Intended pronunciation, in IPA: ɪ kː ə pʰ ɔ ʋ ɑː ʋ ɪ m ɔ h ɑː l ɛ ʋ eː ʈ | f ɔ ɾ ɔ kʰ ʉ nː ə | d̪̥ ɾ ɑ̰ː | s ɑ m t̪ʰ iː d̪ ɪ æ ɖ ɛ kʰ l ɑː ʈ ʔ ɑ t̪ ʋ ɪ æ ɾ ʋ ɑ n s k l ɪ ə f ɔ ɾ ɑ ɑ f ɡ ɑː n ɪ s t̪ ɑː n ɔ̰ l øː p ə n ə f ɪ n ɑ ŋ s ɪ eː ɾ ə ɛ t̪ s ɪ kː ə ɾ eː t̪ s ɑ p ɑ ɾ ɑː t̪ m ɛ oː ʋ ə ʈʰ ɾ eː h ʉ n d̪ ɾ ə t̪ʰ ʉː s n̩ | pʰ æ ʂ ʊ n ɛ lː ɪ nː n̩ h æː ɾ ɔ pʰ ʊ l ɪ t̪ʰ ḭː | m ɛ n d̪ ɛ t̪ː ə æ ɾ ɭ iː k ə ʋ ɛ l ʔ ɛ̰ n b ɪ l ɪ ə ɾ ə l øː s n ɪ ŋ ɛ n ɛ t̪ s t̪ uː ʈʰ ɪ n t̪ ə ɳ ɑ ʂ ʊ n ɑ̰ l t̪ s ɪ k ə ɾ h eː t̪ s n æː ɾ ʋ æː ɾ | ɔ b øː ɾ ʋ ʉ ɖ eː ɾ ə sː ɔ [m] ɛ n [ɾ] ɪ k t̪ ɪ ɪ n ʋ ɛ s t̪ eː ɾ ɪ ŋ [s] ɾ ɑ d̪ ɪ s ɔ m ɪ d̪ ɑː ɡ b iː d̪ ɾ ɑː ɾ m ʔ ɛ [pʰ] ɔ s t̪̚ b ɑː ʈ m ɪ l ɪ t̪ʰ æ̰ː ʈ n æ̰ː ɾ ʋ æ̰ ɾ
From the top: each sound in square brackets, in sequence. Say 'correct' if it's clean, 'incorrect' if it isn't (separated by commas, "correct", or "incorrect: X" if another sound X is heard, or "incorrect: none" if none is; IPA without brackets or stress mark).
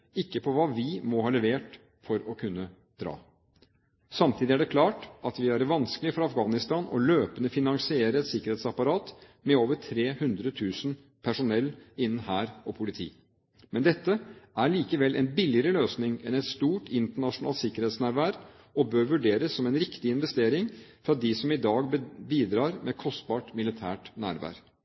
correct, correct, incorrect: f, incorrect: kʰ